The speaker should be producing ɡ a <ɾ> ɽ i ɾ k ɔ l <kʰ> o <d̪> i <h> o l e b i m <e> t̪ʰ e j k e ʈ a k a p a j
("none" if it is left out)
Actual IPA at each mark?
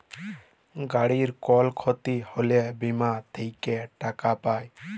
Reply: none, kʰ, t̪, h, a

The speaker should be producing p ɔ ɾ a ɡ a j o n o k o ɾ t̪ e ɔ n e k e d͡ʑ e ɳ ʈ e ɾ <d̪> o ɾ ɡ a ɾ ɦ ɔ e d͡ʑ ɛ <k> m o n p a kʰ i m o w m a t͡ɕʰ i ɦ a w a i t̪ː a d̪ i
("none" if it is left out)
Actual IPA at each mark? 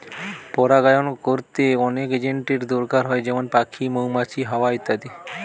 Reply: d̪, none

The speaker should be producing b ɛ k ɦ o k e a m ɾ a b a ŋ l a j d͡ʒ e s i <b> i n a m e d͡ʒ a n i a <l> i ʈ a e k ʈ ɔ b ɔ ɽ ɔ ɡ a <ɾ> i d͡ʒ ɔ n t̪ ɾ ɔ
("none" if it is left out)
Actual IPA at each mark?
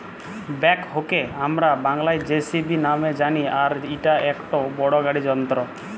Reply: b, ɾ, ɽ

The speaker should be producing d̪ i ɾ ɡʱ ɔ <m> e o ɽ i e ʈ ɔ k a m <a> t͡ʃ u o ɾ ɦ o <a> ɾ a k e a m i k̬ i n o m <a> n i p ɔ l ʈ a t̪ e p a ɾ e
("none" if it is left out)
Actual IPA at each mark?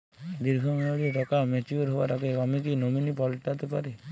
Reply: m, e, a, i

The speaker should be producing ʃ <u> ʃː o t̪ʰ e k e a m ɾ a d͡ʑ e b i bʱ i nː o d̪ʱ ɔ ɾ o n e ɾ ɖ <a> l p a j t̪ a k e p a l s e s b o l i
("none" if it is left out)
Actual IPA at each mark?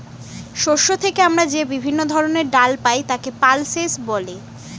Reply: o, a

